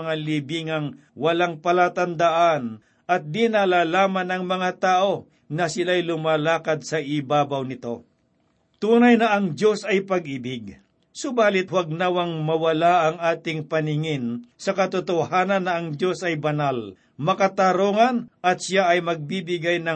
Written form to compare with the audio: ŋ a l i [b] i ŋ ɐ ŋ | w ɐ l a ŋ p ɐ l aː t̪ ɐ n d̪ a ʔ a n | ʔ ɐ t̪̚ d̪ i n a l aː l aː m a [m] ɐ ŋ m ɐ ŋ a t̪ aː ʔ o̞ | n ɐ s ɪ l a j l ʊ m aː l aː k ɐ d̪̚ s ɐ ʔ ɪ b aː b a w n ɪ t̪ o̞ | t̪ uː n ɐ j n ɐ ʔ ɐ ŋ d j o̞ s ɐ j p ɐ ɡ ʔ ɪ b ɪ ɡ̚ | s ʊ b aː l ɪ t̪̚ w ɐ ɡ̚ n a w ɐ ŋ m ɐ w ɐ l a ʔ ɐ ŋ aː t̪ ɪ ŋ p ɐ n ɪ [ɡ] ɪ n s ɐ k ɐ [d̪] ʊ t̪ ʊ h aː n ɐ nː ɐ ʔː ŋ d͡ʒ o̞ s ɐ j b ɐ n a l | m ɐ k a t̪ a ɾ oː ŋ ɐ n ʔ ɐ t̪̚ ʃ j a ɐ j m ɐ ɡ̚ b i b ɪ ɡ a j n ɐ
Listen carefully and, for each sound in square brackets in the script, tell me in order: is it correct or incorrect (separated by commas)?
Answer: correct, incorrect, incorrect, incorrect